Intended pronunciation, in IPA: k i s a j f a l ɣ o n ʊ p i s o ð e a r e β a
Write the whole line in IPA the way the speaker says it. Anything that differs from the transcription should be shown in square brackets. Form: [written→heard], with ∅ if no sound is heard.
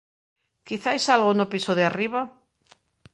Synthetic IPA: k i [s→θ] a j [f→s] a l ɣ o n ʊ p i s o ð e a r [e→i] β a